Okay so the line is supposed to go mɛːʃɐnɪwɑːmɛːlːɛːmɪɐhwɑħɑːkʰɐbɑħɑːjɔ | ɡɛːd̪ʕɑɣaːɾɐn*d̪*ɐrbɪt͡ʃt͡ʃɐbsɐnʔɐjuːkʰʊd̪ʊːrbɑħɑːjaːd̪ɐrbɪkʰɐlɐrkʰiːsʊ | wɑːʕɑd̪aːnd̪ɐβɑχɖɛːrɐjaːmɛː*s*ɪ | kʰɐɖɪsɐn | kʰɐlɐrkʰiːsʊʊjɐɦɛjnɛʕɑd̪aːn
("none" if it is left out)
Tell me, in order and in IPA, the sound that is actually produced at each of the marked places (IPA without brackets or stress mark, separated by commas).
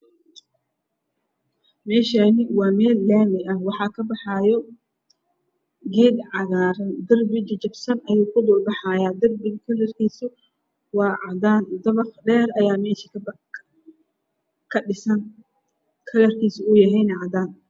d̪, ʃ